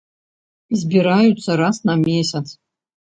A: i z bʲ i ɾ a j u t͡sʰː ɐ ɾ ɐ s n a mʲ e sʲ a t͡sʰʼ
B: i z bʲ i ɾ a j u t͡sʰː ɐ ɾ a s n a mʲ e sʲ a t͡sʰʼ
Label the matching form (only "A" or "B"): B